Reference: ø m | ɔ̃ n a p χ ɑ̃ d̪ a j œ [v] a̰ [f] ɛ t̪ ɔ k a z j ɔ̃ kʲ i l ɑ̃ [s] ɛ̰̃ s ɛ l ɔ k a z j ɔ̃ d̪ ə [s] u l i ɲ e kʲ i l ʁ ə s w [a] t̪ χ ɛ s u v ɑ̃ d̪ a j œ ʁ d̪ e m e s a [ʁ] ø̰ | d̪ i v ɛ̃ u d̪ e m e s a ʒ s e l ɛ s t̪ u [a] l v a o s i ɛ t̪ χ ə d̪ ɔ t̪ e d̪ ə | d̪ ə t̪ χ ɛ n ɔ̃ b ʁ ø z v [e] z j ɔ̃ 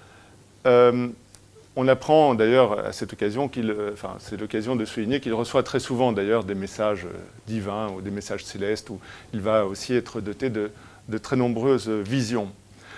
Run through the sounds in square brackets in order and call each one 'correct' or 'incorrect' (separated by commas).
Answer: incorrect, incorrect, incorrect, correct, correct, incorrect, incorrect, incorrect